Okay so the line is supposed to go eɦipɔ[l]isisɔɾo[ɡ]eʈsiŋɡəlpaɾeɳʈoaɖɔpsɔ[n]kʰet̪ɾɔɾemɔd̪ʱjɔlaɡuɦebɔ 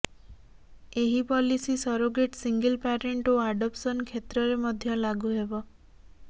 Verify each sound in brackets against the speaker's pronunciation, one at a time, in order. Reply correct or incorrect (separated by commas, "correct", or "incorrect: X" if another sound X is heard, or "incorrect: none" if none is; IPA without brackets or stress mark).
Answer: correct, correct, correct